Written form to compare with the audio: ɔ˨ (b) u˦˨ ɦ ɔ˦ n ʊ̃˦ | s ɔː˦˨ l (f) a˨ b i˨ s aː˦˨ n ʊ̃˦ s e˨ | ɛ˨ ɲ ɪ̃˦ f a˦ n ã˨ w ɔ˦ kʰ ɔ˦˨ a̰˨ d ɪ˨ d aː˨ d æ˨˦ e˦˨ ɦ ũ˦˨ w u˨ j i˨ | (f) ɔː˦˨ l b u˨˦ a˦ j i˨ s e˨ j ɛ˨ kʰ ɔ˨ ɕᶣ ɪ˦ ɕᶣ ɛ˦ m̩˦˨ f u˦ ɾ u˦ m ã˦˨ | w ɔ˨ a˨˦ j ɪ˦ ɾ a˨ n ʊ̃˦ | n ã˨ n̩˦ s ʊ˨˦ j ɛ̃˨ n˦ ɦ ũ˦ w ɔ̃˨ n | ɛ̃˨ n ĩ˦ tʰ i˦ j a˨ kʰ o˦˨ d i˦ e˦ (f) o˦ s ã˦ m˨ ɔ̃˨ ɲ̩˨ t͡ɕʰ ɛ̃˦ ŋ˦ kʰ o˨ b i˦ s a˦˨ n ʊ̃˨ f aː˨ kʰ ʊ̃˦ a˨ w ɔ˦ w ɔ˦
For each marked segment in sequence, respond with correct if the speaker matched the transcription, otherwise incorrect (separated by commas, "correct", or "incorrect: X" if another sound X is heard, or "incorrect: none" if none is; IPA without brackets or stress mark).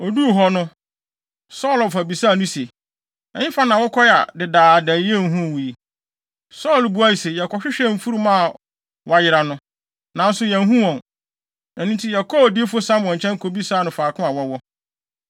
incorrect: d, correct, incorrect: s, correct